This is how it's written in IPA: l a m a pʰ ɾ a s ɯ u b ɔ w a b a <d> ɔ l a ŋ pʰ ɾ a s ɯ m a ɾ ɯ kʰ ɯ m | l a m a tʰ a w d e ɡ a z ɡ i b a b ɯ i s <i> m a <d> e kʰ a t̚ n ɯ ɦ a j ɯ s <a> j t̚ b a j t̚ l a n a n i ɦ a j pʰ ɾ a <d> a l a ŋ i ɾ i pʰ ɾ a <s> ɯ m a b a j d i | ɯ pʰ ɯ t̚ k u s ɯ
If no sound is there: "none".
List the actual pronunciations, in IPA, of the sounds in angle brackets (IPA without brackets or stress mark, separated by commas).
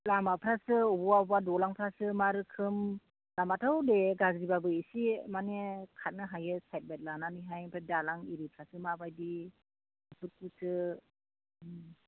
d, i, n, a, d, s